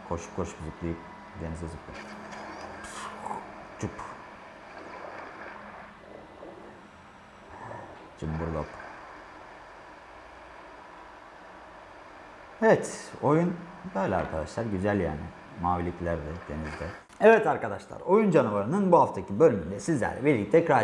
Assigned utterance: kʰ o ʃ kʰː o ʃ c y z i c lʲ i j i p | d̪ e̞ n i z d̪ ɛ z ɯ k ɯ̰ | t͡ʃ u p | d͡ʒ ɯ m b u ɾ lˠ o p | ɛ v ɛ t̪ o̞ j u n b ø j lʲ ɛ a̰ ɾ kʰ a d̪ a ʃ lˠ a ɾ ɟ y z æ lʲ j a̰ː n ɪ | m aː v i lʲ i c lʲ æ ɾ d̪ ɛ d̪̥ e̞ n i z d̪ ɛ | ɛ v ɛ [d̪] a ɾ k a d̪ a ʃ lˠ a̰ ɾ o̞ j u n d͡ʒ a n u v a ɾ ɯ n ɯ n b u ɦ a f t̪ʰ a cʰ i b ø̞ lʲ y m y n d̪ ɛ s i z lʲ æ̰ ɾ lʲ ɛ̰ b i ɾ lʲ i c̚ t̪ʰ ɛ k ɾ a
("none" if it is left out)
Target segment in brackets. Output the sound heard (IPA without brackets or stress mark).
t̪